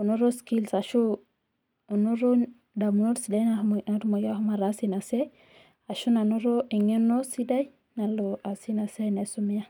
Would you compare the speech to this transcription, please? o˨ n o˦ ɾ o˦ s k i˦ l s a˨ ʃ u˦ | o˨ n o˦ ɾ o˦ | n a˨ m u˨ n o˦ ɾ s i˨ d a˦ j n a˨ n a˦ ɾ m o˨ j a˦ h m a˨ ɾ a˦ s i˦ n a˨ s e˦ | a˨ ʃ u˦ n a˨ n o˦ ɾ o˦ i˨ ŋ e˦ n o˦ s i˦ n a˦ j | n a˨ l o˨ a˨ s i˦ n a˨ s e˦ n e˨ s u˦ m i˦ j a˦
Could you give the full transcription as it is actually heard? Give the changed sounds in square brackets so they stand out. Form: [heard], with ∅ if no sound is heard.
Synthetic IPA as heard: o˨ n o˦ ɾ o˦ s k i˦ l s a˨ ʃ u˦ | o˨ n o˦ ɾ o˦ | [d] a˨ m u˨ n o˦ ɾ s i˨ d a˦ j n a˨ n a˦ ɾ m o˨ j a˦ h m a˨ ɾ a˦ s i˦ n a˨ s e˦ | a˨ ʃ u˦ n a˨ n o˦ ɾ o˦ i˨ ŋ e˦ n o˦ s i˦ [d] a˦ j | n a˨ l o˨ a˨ s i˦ n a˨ s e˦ n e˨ s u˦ m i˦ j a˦